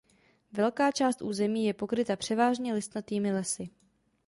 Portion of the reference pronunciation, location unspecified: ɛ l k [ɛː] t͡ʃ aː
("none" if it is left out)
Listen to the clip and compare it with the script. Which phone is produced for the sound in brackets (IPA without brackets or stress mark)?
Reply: aː